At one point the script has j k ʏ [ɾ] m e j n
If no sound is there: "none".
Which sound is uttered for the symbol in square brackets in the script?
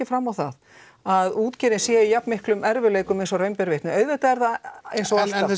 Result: none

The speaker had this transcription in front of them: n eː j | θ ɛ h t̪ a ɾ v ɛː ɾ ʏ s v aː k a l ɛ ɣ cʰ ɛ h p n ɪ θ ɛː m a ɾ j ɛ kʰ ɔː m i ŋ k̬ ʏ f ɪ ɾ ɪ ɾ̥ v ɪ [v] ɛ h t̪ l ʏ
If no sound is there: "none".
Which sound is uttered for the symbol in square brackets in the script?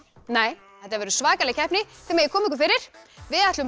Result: ð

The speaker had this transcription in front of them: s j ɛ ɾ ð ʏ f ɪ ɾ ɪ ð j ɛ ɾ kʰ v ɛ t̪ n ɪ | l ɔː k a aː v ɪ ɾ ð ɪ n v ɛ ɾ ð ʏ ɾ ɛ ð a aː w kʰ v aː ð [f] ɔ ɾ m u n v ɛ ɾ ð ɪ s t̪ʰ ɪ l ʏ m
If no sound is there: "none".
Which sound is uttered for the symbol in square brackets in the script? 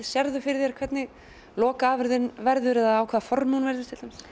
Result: f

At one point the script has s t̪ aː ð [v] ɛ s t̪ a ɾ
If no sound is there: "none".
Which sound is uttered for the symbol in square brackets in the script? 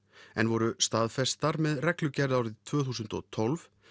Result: f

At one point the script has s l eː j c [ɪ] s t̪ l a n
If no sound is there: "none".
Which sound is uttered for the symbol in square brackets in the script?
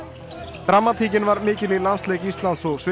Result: i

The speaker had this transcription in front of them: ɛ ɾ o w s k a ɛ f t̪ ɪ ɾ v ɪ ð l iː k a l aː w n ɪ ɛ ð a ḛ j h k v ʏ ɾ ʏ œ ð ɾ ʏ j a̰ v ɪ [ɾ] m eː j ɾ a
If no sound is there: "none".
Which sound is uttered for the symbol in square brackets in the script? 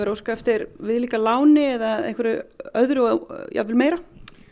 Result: l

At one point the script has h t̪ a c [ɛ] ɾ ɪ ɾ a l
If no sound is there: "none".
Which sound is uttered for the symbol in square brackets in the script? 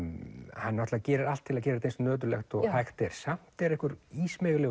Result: ɛː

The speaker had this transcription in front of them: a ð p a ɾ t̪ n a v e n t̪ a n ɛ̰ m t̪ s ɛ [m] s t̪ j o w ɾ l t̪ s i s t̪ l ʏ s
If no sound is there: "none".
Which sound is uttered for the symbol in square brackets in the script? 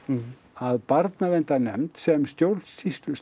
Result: m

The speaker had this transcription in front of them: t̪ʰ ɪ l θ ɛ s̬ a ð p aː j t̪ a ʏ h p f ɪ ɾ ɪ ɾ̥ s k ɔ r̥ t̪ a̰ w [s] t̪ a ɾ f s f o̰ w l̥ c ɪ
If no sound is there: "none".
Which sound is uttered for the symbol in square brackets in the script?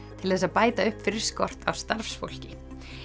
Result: s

